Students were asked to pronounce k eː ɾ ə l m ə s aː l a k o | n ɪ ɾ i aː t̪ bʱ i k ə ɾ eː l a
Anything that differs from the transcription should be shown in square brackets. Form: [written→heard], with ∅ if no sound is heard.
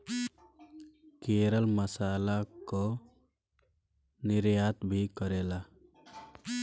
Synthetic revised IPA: k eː ɾ ə l m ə s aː l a k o | n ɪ ɾ [i→j] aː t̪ bʱ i k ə ɾ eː l a